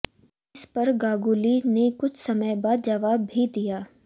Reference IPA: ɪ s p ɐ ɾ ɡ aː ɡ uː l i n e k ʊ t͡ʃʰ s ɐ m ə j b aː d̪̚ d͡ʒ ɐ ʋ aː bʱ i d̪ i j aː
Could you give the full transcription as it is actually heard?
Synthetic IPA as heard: ɪ s p ɐ ɾ ɡ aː ɡ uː l i n e k ʊ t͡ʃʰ s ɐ m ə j b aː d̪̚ d͡ʒ ɐ ʋ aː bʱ i d̪ i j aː